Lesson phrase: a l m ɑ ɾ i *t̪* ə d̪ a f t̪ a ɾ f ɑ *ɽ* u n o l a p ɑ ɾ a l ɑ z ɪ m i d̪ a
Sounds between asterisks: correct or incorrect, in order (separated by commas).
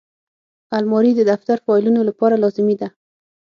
incorrect, incorrect